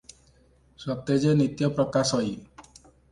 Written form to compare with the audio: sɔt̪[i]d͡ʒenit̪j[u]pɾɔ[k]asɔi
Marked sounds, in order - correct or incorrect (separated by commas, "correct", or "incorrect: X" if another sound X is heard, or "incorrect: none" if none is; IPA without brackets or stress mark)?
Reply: incorrect: e, incorrect: ɔ, correct